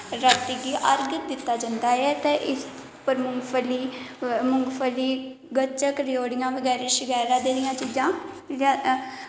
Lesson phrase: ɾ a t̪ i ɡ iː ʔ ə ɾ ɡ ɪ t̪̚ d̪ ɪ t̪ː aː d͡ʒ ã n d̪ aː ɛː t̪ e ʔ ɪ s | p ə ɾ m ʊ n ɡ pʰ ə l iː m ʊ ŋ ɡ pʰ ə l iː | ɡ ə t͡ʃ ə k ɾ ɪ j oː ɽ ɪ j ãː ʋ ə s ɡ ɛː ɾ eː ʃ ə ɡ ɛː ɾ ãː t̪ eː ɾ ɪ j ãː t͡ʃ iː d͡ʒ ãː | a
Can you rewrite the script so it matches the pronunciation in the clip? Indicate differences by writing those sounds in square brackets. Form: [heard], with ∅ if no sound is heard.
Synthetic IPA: ɾ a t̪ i ɡ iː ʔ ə ɾ ɡ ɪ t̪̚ d̪ ɪ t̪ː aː d͡ʒ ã n d̪ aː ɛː t̪ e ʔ ɪ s | p ə ɾ m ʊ [ŋ] ɡ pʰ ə l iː m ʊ ŋ ɡ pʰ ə l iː | ɡ ə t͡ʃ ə k ɾ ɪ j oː ɽ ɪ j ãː ʋ ə [∅] ɡ ɛː ɾ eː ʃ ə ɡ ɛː ɾ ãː [d̪] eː ɾ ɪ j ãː t͡ʃ iː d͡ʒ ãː | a

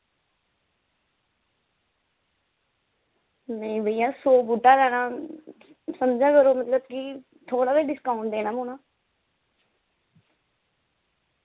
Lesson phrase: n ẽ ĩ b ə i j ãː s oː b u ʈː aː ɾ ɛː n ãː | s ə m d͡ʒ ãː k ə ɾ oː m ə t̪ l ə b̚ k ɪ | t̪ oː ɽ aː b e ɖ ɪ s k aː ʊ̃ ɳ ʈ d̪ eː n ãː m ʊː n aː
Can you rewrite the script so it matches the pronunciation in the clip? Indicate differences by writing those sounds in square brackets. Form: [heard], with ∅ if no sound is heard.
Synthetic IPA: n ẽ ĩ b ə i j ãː s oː b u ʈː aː ɾ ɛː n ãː | s ə m d͡ʒ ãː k ə ɾ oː m ə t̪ l ə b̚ k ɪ | [t̪ʰ] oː ɽ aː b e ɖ ɪ s k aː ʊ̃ ɳ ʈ d̪ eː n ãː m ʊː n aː

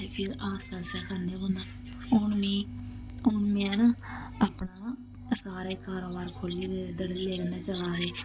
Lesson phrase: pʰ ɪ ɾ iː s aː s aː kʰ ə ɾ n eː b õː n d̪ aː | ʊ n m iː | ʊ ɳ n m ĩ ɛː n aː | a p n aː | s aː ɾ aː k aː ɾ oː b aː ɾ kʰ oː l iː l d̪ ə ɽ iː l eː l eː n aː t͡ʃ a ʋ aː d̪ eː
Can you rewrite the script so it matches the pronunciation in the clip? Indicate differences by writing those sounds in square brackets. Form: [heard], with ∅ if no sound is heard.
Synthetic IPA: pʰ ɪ ɾ [aː] s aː s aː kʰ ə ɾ n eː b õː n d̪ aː | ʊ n m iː | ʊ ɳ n m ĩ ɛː n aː | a p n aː | s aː ɾ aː k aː ɾ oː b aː ɾ kʰ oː l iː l d̪ ə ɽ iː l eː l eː n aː t͡ʃ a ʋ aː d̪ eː

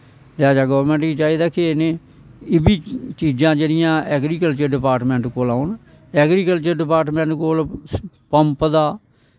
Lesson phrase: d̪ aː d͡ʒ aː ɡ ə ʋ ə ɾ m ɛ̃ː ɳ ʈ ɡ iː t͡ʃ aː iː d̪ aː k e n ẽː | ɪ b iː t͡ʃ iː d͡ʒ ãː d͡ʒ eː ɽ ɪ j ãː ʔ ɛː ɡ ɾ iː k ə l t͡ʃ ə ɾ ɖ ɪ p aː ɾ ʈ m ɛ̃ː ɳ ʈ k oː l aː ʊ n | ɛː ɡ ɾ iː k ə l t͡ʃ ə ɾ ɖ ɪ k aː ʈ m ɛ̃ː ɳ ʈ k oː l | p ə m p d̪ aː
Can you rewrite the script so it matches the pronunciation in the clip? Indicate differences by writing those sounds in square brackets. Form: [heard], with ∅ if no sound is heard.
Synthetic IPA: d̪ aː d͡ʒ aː ɡ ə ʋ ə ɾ m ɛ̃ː ɳ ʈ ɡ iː t͡ʃ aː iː d̪ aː k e n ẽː | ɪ b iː t͡ʃ iː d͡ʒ ãː d͡ʒ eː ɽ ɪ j ãː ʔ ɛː ɡ ɾ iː k ə l t͡ʃ ə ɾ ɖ ɪ p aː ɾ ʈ m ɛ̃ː ɳ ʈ k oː l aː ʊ n | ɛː ɡ ɾ iː k ə l t͡ʃ ə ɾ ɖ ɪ [p] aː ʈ m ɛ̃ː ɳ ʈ k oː l | p ə m p d̪ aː

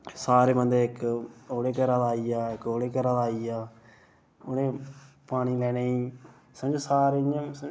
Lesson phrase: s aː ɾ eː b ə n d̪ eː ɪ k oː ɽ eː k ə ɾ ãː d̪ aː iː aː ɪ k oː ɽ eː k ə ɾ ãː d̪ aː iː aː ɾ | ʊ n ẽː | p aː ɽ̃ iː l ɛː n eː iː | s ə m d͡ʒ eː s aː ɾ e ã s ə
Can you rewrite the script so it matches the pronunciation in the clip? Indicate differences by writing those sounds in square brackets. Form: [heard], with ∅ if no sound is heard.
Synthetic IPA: s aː ɾ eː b ə n d̪ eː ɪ k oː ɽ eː k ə ɾ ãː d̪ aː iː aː ɪ k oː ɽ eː k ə ɾ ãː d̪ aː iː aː [∅] | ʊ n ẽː | p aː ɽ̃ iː l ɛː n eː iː | s ə m d͡ʒ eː s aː ɾ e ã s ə

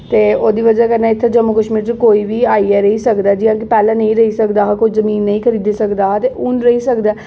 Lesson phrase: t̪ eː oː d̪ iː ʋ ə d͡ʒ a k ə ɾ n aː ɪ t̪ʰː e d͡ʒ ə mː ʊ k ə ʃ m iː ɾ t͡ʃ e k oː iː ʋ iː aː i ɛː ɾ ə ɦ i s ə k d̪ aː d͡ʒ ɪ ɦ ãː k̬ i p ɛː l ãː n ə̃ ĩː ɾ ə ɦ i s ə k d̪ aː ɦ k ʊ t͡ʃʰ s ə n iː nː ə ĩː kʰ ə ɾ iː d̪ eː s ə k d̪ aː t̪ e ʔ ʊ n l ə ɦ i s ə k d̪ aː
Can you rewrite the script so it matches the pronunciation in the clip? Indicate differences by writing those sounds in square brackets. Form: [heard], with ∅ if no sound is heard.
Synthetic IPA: t̪ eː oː d̪ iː ʋ ə d͡ʒ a k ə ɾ n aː ɪ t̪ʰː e d͡ʒ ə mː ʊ k ə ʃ m iː ɾ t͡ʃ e k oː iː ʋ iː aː i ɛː ɾ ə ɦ i s ə k d̪ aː d͡ʒ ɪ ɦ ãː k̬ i p ɛː l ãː n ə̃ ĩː ɾ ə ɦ i s ə k d̪ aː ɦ k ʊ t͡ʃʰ [z] ə [m] iː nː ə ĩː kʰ ə ɾ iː d̪ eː s ə k d̪ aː t̪ e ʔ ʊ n [ɾ] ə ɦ i s ə k d̪ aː

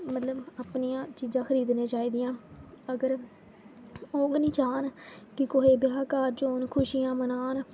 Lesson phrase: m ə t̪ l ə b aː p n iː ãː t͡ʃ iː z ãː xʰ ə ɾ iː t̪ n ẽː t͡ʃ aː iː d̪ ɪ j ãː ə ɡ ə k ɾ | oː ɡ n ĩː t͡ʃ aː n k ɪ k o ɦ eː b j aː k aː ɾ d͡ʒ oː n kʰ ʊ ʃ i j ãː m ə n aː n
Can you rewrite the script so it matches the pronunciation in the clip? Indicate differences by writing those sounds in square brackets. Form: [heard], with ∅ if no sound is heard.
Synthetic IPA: m ə t̪ l ə b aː p n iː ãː t͡ʃ iː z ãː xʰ ə ɾ iː [d̪] n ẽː t͡ʃ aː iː d̪ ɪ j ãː ə ɡ ə [∅] ɾ | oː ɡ n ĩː t͡ʃ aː n k ɪ k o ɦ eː b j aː k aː ɾ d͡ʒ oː n kʰ ʊ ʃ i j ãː m ə n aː n

